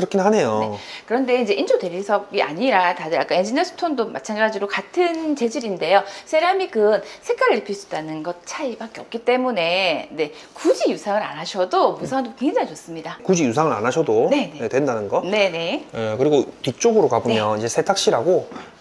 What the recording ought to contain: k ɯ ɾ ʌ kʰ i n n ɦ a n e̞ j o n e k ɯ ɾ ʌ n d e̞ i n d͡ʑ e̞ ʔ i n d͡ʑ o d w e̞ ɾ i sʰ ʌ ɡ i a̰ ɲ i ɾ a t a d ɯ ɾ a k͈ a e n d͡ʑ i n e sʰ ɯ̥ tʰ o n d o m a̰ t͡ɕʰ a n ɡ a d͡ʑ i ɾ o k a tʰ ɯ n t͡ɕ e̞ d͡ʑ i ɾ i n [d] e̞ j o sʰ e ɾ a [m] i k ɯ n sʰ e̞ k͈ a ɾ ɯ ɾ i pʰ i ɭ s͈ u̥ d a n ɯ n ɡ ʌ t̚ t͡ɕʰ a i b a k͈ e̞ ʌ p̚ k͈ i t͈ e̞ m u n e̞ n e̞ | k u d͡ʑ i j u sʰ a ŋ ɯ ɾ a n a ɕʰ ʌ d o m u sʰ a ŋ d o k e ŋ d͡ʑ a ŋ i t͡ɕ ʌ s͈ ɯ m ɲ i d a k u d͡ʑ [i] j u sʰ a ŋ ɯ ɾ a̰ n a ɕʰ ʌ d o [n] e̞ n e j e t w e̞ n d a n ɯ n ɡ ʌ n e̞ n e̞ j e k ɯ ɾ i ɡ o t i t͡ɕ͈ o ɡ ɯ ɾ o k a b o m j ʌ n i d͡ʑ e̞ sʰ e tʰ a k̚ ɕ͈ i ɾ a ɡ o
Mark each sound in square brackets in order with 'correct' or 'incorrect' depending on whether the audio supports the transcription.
correct, correct, correct, correct

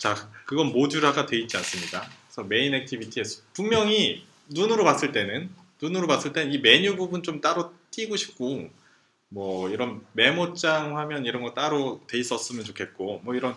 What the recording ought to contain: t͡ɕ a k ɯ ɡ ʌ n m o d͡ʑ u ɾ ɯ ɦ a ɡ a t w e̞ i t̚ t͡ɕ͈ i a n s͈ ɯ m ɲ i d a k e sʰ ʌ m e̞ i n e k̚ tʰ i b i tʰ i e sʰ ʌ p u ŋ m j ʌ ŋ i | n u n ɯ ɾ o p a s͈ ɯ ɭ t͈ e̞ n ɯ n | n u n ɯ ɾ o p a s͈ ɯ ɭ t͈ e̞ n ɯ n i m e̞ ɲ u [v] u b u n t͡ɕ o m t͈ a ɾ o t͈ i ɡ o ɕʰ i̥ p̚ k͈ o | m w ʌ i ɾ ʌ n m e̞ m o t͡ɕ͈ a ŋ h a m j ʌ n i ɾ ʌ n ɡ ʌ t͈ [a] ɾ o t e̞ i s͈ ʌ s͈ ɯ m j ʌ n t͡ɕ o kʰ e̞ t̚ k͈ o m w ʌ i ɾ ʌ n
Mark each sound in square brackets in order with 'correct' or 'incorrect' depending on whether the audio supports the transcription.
incorrect, correct

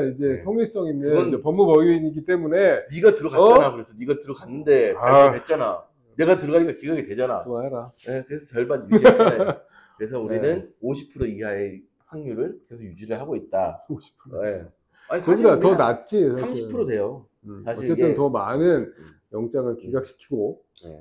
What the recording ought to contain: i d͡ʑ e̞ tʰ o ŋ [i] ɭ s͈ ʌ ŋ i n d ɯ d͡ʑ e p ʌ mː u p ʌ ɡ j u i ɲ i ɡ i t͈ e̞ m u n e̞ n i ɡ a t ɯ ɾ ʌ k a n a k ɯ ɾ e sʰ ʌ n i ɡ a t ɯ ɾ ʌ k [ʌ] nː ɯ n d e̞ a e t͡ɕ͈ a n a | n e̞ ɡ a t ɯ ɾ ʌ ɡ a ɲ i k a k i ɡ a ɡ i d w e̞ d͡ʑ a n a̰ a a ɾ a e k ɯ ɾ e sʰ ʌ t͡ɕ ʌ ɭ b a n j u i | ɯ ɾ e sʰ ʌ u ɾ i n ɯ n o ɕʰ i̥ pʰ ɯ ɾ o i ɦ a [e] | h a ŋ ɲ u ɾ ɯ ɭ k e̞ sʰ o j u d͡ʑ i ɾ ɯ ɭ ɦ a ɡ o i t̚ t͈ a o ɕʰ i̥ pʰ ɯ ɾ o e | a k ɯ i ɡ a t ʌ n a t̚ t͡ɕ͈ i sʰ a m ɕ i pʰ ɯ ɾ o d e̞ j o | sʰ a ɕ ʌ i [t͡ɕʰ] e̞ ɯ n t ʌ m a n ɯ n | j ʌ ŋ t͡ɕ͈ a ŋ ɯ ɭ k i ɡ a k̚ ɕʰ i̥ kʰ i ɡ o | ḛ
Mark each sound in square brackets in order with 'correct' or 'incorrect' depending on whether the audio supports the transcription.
correct, incorrect, correct, incorrect

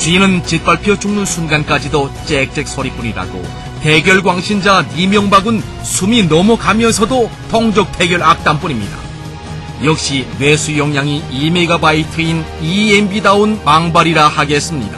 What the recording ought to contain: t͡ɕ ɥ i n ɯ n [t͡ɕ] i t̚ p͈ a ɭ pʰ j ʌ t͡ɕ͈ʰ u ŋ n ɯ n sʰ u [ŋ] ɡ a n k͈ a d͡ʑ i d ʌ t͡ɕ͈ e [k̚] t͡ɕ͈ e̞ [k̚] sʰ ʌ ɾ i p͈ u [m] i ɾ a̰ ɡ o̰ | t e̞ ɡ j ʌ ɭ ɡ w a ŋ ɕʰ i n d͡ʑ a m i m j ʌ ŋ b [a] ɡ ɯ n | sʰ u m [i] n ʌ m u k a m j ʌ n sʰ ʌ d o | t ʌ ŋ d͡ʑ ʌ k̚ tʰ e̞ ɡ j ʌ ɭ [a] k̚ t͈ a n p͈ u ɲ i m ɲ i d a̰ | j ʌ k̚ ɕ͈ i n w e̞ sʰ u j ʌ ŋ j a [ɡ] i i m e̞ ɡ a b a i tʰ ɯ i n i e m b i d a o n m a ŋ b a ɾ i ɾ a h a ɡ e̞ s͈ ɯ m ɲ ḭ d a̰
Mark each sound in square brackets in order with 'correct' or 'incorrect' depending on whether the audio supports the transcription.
correct, incorrect, correct, correct, incorrect, correct, correct, correct, incorrect

